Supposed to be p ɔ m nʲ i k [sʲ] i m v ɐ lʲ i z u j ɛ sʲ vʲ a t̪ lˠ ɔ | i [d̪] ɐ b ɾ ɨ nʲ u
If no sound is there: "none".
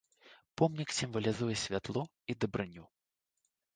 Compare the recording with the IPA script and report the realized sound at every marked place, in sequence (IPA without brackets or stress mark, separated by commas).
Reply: sʲ, d̪